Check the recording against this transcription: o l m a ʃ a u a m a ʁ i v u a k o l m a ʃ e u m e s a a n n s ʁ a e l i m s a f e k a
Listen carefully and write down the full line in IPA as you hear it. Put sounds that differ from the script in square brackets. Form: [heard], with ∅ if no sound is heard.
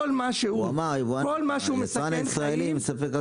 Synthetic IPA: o l m a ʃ [e] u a m a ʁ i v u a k o l m a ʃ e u m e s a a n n s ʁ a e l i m s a f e k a